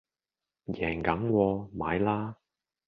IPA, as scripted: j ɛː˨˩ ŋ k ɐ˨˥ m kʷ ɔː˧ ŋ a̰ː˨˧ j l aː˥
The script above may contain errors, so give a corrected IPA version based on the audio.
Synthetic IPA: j ɛː˨˩ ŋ k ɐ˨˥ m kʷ ɔː˧ m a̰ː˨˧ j l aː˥